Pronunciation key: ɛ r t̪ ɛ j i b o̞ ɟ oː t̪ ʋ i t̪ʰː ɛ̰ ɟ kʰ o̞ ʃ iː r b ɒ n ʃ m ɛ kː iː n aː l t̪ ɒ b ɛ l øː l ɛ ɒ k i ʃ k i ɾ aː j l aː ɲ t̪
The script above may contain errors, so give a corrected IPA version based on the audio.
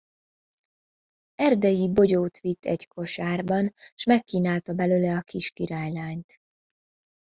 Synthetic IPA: ɛ r d̪ ɛ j i b o̞ ɟ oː t̪ ʋ i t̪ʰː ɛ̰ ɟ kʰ o̞ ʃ aː r b ɒ n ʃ m ɛ kː iː n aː l t̪ ɒ b ɛ l øː l ɛ ɒ k i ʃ k i ɾ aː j l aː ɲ t̪